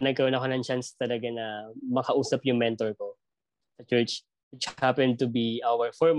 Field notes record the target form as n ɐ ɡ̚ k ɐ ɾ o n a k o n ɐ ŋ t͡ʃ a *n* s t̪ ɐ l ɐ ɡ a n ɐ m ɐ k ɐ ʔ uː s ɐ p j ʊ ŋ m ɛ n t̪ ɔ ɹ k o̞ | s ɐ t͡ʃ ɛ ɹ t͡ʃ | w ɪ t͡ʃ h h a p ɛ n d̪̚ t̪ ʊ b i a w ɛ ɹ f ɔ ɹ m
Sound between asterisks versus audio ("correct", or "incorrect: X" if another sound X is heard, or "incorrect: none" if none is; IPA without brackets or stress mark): correct